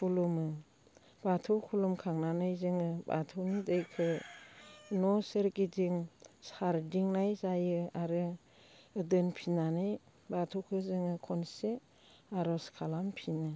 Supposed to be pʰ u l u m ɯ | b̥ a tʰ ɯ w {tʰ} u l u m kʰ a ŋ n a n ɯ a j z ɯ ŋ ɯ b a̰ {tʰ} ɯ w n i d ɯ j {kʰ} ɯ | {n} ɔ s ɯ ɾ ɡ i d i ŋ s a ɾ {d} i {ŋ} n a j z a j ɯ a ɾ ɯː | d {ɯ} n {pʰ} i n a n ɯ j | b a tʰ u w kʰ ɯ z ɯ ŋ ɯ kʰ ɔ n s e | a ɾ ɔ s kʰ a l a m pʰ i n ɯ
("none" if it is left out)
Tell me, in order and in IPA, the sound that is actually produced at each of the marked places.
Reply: kʰ, tʰ, kʰ, n, d, ŋ, ɯ, pʰ

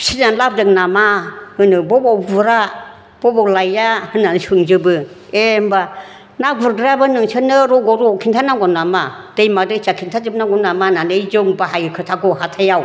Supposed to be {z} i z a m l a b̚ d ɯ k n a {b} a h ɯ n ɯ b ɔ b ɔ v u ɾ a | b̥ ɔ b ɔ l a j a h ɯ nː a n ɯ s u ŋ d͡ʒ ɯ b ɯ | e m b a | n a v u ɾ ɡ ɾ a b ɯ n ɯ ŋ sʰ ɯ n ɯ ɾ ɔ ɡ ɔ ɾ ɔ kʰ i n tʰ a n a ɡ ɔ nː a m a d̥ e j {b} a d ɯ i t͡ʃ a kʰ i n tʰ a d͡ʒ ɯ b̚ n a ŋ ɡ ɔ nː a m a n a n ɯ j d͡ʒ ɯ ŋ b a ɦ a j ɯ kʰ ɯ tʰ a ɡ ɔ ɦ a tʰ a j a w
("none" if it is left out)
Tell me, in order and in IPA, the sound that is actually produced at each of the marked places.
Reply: s, m, m

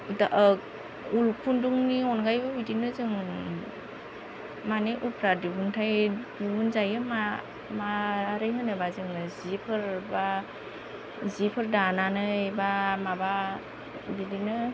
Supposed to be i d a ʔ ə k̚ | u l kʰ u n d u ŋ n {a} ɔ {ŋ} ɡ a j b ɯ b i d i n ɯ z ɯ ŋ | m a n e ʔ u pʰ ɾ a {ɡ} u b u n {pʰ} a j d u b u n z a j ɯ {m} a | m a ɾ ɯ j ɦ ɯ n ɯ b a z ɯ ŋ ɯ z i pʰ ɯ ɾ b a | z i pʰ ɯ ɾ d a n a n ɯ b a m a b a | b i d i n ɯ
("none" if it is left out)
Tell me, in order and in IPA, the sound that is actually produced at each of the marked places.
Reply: i, n, d, tʰ, m

